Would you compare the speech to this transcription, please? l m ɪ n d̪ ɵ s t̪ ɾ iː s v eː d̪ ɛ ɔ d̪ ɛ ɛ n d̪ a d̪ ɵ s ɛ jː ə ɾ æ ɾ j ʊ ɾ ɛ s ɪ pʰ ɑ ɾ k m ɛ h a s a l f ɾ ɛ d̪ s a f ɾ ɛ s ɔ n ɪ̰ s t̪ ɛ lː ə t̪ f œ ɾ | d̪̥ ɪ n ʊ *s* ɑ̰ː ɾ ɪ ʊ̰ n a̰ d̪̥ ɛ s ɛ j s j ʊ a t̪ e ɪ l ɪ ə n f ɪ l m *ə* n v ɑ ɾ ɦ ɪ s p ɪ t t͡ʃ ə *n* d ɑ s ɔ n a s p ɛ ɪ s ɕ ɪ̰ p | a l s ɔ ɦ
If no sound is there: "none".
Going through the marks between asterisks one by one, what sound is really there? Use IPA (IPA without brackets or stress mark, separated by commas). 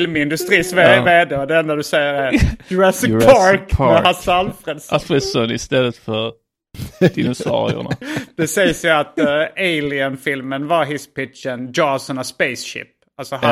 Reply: s, ə, n